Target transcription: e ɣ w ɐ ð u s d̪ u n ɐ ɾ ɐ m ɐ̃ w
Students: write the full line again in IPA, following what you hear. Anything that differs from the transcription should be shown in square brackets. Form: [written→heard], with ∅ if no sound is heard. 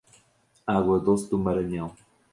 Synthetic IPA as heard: [e→a] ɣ w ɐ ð [u→o] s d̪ u [n→m] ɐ ɾ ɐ [m→ɲ] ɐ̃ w